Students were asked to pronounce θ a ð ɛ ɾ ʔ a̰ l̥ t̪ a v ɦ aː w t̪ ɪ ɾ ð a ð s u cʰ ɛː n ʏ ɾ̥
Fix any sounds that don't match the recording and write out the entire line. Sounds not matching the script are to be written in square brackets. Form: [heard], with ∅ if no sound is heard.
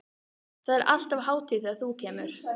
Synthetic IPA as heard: θ a ð ɛ ɾ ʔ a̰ l̥ t̪ a v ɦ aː w t̪ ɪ [∅] ð a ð [θ] u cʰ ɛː [m] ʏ ɾ̥